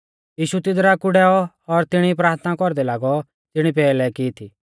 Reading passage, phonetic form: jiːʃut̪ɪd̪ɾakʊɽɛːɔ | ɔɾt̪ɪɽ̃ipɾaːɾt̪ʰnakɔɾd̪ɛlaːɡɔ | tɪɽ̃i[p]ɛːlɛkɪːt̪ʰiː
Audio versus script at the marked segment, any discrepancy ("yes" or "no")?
no